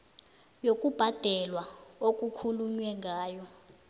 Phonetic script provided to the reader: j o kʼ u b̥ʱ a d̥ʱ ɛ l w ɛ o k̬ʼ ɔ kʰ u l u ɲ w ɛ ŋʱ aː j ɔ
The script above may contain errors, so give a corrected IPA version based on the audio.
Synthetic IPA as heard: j o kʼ u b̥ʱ a d̥ʱ ɛ l w a o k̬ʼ u kʰ u l u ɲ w ɛ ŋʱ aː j ɔ

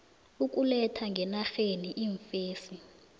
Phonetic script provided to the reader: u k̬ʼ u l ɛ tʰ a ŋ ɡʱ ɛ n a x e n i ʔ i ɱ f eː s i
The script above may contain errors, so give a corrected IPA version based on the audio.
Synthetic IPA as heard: u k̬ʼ u l ɛ tʰ a ŋ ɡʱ ɛ n a x e n i ʔ i ɱ f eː s i

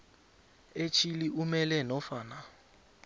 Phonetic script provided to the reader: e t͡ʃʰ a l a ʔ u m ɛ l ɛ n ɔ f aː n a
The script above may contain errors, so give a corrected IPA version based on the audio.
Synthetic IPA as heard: e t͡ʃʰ i l i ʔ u m ɛ l ɛ n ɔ f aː n a

